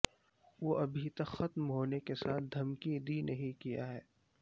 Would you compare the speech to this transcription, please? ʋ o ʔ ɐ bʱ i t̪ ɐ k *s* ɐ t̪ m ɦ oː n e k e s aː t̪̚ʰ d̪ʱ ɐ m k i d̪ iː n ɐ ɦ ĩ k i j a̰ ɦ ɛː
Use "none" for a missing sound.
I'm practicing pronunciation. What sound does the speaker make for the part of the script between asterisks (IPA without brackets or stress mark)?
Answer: x